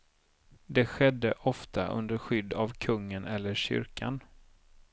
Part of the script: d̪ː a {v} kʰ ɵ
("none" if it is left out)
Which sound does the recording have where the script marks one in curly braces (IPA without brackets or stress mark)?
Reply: v